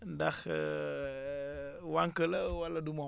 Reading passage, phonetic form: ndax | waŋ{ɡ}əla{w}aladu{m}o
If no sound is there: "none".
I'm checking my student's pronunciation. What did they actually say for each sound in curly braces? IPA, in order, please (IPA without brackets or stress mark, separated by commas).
k, w, m